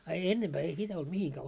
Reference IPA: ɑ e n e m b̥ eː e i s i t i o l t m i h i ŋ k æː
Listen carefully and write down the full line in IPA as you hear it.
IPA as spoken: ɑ e nː e m b̥ æː e i s i t æ o l t m i h i ŋ k æː